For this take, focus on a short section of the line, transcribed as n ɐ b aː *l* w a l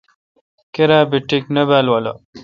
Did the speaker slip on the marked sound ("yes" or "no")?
no